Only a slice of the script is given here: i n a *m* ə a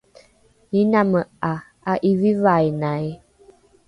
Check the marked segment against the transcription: correct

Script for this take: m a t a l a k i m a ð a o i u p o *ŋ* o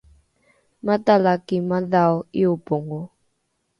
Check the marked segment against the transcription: correct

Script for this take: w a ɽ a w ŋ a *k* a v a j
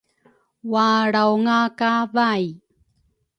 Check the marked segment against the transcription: correct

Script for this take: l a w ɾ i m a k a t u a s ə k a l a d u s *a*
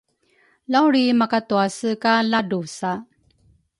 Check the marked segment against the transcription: correct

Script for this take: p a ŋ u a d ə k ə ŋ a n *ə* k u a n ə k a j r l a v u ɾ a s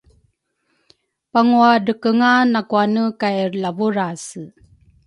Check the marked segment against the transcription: incorrect: a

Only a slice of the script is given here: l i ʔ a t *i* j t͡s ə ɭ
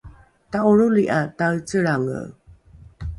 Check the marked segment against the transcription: incorrect: a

